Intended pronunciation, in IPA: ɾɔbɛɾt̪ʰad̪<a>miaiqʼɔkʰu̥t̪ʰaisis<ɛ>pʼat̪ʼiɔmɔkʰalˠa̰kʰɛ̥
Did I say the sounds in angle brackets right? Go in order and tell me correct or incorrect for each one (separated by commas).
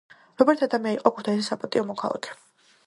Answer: correct, incorrect